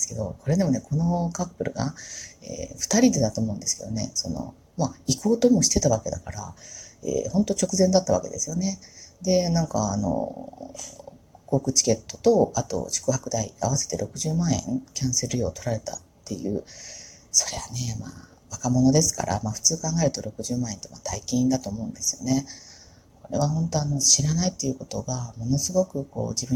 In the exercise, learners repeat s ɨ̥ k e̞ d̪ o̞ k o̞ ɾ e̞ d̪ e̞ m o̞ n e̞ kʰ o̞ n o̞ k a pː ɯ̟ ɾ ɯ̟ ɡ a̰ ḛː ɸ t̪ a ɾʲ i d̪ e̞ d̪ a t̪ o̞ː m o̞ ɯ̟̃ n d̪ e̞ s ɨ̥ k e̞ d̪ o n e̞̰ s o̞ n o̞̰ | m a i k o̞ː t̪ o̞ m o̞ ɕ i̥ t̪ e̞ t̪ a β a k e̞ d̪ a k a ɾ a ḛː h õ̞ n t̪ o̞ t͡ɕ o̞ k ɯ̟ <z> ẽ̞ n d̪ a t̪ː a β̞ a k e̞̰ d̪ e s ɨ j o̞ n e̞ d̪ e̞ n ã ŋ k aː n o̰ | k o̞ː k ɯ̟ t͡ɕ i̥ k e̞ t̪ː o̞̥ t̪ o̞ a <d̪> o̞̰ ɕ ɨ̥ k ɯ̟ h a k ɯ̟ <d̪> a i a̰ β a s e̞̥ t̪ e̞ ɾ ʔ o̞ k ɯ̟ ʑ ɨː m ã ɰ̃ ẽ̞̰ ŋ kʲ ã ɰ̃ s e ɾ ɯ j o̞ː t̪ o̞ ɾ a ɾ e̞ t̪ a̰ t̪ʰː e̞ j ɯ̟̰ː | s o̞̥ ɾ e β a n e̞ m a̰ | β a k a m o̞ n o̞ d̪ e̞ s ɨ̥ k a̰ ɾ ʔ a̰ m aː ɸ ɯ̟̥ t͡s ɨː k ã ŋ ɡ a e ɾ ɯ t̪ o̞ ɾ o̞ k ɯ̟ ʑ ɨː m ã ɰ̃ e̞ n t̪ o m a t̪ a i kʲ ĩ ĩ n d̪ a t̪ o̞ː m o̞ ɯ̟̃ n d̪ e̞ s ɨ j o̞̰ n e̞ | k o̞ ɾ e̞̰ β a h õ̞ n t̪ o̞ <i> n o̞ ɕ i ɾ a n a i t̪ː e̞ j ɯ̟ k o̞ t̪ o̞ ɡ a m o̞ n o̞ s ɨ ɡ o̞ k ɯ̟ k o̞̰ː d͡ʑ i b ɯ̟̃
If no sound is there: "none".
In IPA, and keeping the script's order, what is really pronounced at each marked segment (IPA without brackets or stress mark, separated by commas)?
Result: z, t̪, d̪, a